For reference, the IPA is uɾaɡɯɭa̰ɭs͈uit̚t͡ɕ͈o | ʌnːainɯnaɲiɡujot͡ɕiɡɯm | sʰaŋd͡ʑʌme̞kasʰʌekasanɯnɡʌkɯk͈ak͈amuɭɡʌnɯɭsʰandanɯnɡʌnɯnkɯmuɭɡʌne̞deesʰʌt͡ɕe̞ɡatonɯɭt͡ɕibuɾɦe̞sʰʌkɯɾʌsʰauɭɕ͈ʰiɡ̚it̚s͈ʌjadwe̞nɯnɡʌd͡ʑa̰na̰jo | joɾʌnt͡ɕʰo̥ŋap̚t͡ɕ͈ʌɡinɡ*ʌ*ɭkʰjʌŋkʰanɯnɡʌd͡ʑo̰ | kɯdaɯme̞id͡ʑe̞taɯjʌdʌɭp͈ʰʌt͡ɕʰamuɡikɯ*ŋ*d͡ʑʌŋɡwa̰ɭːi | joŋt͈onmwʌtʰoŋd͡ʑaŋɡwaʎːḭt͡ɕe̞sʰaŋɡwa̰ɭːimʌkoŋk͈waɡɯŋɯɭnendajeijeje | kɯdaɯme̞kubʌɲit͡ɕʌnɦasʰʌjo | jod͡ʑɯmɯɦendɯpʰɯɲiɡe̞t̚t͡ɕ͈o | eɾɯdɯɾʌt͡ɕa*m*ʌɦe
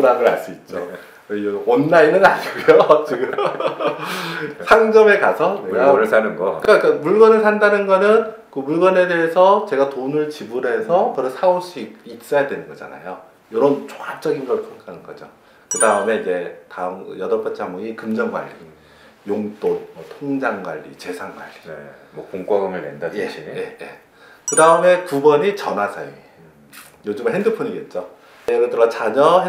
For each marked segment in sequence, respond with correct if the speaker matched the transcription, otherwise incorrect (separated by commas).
correct, incorrect, incorrect